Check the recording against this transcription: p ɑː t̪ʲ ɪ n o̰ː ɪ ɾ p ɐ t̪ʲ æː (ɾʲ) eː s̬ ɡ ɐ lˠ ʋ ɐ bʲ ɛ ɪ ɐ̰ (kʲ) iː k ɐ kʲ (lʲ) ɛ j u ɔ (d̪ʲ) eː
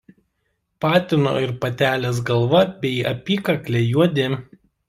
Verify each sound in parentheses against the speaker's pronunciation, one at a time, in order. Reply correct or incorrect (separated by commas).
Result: incorrect, incorrect, correct, correct